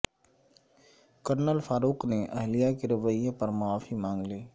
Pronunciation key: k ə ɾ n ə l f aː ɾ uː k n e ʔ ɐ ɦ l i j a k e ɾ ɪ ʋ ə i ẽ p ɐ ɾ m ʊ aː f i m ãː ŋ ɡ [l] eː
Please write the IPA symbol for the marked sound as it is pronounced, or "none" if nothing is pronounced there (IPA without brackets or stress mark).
l